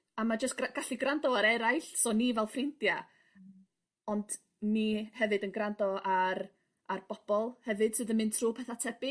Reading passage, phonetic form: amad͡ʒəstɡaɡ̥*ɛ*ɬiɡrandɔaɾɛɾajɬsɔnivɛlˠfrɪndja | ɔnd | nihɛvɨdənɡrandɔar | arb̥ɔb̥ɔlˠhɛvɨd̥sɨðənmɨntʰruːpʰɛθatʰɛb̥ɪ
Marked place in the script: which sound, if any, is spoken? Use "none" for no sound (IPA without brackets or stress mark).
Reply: a